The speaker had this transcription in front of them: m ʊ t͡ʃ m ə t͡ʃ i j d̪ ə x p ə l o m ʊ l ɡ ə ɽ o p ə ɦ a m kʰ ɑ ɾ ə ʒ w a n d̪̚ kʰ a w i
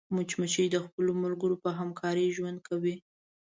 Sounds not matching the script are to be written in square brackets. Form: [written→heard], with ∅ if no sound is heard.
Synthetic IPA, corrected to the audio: m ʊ t͡ʃ m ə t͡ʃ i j d̪ ə x p ə l o m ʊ l ɡ ə [ɽ→ɾ] o p ə ɦ a m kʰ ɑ ɾ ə ʒ w a n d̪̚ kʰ a w i